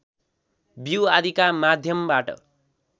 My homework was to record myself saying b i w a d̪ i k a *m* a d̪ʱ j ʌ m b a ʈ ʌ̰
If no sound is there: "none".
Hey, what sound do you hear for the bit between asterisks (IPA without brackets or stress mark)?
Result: m